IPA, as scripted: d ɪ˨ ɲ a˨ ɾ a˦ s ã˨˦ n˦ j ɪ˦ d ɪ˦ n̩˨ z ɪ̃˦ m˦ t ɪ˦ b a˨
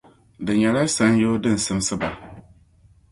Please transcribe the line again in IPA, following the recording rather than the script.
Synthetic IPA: d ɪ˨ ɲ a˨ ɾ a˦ s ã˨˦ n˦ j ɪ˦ d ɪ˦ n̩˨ s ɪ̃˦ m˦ s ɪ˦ b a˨